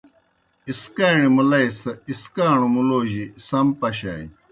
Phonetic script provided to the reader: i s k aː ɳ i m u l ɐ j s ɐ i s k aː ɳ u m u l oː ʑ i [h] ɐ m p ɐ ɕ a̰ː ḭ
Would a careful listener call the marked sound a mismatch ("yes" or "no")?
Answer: yes